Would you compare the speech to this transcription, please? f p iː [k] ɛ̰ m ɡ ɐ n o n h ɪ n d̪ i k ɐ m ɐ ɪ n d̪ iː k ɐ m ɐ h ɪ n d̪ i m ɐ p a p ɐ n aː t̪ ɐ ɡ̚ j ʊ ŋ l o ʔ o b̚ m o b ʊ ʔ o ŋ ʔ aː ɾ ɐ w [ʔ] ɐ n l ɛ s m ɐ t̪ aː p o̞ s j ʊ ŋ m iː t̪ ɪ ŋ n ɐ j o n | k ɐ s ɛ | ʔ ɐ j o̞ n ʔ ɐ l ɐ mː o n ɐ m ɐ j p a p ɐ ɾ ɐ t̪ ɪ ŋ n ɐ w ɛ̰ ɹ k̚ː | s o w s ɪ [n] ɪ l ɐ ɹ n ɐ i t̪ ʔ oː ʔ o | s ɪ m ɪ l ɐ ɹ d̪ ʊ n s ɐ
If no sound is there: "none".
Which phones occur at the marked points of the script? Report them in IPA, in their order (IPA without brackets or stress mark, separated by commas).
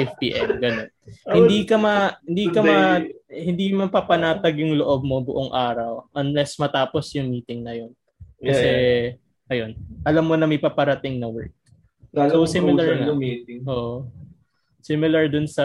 ʔ, ʔ, m